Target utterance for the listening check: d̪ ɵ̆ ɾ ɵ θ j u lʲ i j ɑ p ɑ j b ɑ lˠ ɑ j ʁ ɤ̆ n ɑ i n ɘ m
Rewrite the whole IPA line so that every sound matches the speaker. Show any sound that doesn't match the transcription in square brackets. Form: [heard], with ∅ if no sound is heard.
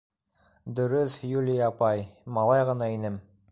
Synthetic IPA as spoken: d̪ ɵ̆ ɾ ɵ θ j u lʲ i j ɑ p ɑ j [m] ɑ lˠ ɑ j ʁ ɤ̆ n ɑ i n ɘ m

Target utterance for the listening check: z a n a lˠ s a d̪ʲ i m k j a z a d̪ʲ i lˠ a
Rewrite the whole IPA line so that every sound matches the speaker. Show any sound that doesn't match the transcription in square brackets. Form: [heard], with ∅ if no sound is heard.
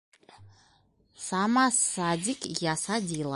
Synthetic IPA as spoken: [s] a [m] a [∅] s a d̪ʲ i [∅] k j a [s] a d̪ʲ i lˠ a

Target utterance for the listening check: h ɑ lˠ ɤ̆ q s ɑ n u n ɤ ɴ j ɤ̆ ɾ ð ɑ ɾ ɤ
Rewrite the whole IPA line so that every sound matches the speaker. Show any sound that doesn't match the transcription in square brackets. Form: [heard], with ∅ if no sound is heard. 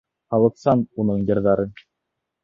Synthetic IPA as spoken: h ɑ lˠ ɤ̆ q s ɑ n u n ɤ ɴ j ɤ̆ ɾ ð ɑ ɾ ɤ

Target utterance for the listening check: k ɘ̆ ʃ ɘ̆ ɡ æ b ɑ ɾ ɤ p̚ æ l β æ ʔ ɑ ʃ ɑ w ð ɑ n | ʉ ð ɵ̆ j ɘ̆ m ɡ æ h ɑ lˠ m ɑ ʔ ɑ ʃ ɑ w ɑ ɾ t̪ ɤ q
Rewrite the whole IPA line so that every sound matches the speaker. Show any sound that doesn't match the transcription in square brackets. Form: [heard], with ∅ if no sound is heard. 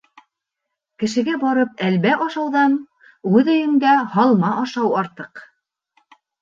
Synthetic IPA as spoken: k ɘ̆ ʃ ɘ̆ ɡ æ b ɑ ɾ ɤ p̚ æ l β æ ʔ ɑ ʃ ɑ w ð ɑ n | ʉ ð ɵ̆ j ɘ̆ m ɡ æ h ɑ lˠ m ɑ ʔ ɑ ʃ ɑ w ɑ ɾ t̪ ɤ q

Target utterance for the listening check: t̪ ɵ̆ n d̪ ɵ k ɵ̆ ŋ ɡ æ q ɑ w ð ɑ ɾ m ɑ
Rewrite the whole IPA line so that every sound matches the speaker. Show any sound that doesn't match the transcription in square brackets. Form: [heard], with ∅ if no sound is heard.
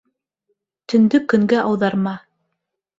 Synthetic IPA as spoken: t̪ ɵ̆ n d̪ ɵ k ɵ̆ ŋ ɡ æ [ʔ] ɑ w ð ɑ ɾ m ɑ

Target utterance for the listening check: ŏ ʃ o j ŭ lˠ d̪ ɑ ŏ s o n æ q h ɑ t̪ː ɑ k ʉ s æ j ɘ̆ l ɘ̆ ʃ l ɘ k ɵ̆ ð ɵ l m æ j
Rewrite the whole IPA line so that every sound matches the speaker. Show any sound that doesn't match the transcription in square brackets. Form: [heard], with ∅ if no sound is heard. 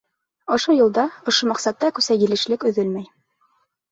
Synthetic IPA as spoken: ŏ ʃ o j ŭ lˠ d̪ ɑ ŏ [ʃ] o [m] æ q [s] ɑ t̪ː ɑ k ʉ s æ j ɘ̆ l ɘ̆ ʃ l ɘ k ɵ̆ ð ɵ l m æ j

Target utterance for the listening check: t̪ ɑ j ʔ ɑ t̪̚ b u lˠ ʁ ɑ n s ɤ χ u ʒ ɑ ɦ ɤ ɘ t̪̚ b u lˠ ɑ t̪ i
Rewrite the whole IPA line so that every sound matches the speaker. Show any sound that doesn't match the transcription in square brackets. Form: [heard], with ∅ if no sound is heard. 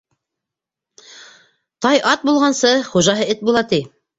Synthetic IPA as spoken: t̪ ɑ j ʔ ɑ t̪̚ b u lˠ ʁ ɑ n s ɤ χ u ʒ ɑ ɦ ɤ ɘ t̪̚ b u lˠ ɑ t̪ i

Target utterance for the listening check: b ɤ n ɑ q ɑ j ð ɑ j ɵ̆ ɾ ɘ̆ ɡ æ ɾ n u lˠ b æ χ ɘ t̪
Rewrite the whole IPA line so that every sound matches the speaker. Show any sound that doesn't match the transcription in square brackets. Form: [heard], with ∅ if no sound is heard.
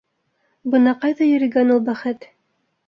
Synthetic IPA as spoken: b ɤ n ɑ q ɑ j ð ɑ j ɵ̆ ɾ ɘ̆ ɡ æ [∅] n u lˠ b æ χ ɘ t̪

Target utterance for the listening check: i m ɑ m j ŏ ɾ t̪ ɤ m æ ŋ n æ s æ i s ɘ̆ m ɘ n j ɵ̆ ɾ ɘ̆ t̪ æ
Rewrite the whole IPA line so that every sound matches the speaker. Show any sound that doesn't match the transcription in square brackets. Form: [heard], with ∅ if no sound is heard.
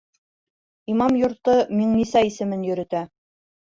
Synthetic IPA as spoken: i m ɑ m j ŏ ɾ t̪ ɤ m [i] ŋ n [i] s æ i s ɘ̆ m ɘ n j ɵ̆ ɾ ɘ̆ t̪ æ

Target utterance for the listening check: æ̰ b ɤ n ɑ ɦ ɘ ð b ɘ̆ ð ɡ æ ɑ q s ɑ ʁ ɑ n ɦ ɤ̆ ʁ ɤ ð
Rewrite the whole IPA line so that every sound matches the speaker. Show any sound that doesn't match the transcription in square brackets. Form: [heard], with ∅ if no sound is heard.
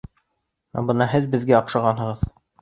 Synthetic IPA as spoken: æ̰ b ɤ n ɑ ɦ ɘ ð b ɘ̆ ð ɡ æ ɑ q [ʃ] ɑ ʁ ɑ n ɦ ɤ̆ ʁ ɤ ð

